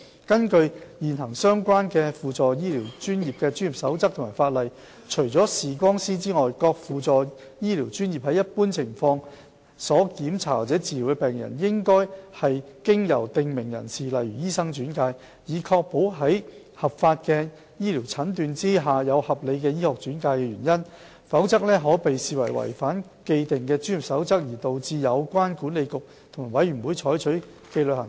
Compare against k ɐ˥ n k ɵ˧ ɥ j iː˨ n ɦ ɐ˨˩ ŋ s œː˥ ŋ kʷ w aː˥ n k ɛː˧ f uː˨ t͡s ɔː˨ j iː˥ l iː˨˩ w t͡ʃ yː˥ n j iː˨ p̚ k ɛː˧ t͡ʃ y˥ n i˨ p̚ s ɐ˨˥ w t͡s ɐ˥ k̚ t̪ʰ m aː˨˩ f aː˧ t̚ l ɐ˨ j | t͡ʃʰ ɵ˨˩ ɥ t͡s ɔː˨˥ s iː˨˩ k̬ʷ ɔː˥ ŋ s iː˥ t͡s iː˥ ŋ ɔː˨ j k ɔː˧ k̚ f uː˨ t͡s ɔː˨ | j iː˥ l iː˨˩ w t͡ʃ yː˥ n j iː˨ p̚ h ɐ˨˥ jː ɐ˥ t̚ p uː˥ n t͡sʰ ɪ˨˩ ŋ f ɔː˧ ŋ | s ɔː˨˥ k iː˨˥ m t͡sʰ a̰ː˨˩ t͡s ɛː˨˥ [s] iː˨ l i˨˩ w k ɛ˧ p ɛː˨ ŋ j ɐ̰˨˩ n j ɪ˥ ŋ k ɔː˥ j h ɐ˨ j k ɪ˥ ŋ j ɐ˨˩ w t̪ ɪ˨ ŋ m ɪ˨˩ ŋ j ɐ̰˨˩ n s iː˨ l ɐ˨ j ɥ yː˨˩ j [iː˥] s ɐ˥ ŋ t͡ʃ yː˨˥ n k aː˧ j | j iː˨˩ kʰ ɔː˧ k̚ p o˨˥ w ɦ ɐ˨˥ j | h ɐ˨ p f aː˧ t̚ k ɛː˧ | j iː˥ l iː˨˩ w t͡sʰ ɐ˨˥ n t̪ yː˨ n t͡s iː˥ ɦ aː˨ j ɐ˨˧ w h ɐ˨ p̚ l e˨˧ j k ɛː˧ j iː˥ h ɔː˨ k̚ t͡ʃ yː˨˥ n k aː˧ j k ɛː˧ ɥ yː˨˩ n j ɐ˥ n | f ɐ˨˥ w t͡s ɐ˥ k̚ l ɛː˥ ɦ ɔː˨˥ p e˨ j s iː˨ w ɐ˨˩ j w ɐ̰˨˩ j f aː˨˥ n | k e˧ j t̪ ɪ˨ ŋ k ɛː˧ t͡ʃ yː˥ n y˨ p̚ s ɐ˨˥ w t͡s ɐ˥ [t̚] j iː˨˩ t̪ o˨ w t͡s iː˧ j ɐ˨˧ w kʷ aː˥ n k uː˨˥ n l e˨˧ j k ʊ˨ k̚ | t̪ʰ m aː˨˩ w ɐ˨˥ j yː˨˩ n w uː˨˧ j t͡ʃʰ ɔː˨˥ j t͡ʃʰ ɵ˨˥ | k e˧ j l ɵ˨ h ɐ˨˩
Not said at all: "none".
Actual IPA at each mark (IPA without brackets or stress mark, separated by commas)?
t͡s, iː˥, k̚